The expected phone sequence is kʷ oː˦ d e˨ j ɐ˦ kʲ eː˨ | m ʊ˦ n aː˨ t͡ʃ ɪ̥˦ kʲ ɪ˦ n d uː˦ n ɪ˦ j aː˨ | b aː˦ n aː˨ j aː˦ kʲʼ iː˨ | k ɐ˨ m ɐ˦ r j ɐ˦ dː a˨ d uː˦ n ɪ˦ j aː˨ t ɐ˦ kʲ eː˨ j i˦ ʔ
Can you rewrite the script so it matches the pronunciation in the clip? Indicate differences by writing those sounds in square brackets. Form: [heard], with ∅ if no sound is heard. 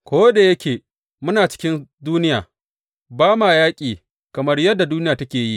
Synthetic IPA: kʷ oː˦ d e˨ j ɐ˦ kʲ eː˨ | m ʊ˦ n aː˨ t͡ʃ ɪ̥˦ kʲ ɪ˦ n d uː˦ n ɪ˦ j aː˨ | b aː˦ [m] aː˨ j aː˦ kʲʼ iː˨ | k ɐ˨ m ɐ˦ r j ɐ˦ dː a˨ d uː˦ n ɪ˦ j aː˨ t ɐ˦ kʲ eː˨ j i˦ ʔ